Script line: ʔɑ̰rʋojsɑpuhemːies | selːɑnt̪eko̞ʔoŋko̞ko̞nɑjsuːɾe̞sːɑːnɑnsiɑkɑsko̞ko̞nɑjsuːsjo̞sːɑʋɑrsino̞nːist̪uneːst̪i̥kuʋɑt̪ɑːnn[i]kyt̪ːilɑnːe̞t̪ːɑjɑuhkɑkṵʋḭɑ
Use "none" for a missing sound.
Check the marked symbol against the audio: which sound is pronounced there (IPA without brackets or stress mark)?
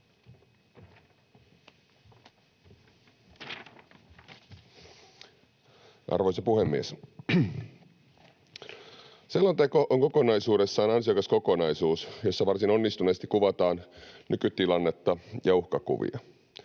y